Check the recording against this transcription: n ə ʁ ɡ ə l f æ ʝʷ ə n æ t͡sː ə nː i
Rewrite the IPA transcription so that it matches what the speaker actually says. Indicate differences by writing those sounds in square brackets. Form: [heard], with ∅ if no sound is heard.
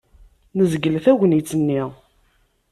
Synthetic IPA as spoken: n ə [z] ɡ ə l [θ] æ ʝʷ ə n [i] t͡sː ə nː i

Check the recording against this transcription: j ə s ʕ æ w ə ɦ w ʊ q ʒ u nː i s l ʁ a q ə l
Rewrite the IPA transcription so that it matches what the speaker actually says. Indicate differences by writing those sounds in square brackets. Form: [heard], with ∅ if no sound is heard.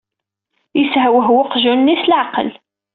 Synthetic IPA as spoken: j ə s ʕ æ w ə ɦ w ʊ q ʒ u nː i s l [ʕ] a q ə l

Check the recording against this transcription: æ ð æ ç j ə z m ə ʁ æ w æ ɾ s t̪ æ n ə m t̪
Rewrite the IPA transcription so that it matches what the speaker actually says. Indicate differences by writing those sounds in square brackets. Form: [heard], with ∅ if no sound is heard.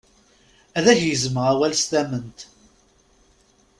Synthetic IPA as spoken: æ ð æ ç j ə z m ə ʁ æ w æ [l] s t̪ æ [m] ə [n] t̪

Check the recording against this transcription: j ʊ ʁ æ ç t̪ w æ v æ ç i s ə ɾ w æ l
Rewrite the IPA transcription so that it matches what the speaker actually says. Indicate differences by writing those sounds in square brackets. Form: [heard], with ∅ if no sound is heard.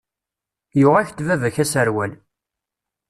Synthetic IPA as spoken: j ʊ ʁ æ ç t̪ [v] æ v æ ç [æ] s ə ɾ w æ l

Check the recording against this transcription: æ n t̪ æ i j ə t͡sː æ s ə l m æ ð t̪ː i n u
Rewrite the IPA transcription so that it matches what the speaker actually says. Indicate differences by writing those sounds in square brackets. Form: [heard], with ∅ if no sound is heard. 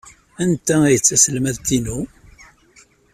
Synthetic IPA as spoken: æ n t̪ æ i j ə t͡sː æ s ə l m æ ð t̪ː i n u

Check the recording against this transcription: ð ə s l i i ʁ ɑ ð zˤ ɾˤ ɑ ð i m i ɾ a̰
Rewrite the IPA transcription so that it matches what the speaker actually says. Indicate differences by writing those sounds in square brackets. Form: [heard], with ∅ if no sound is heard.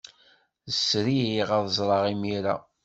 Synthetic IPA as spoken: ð ə s [ɾ] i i ʁ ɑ ð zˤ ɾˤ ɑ [ʁ] i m i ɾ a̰

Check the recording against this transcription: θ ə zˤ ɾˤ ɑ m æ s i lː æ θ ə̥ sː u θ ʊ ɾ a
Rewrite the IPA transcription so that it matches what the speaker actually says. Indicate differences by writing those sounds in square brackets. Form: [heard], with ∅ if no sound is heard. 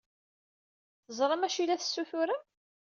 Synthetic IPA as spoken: θ ə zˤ ɾˤ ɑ m æ [ʃ] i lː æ θ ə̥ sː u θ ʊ ɾ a

